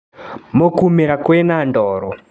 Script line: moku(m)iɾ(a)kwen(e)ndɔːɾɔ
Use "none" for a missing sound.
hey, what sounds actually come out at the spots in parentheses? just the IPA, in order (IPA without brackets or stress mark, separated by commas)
m, a, a